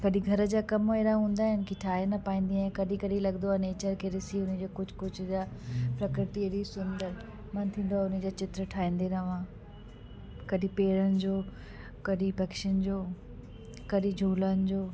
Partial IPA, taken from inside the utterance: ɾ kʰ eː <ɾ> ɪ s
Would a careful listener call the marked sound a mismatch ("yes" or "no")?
no